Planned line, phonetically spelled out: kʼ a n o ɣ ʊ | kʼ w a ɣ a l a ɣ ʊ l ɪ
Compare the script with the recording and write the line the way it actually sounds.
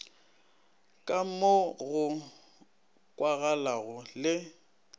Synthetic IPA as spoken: kʼ a m o ɣ ʊ | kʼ w a ɣ a l a ɣ ʊ l ɪ